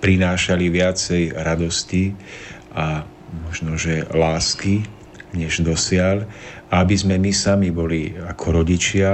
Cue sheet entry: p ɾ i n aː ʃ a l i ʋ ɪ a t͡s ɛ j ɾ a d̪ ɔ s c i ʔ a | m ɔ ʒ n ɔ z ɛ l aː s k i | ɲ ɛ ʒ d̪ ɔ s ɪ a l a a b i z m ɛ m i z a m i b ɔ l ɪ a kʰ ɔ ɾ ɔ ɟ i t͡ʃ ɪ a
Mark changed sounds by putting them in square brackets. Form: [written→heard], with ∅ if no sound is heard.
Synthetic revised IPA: p ɾ i n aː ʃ a l i ʋ ɪ a t͡s ɛ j ɾ a d̪ ɔ s c i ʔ a | m ɔ ʒ n ɔ [z→ʒ] ɛ l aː s k i | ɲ ɛ ʒ d̪ ɔ s ɪ a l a a b i z m ɛ m i [z→s] a m i b ɔ l [ɪ→i] a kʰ ɔ ɾ ɔ ɟ i t͡ʃ ɪ a